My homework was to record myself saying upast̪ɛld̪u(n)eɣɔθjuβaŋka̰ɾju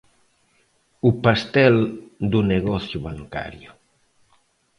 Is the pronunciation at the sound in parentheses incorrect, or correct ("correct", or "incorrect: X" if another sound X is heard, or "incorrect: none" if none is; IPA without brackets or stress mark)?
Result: correct